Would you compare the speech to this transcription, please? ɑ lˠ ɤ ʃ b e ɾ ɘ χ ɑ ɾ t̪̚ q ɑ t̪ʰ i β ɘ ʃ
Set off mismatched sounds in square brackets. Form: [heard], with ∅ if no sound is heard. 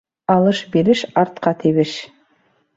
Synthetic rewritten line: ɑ lˠ ɤ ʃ b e ɾ ɘ [ʃ] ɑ ɾ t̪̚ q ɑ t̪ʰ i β ɘ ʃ